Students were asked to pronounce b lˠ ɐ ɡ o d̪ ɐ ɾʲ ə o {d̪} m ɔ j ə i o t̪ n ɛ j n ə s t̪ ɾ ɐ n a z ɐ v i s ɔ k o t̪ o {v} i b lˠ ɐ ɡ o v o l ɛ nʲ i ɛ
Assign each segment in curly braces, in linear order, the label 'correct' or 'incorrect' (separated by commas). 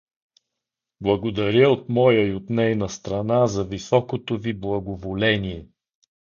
incorrect, correct